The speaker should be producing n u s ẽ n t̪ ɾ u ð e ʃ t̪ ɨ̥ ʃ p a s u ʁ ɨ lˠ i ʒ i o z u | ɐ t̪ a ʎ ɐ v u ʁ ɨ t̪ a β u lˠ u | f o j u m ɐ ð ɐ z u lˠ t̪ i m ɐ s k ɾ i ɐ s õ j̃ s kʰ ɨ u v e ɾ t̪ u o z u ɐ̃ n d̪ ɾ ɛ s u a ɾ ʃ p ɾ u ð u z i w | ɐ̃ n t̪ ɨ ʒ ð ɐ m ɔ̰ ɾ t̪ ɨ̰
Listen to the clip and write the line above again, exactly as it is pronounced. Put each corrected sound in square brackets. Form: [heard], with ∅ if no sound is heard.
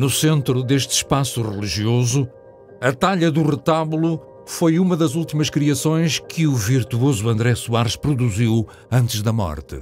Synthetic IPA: n u s ẽ n t̪ ɾ u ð e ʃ t̪ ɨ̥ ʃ p a s u ʁ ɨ lˠ i ʒ i o z u | ɐ t̪ a ʎ ɐ [ð] u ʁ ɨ t̪ a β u lˠ u | f o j u m ɐ ð ɐ z u lˠ t̪ i m ɐ [ʃ] k ɾ i ɐ s õ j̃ [ʃ] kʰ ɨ u v [i] ɾ t̪ u o z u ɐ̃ n d̪ ɾ ɛ s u a ɾ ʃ p ɾ u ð u z i w | ɐ̃ n t̪ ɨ ʒ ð ɐ m ɔ̰ ɾ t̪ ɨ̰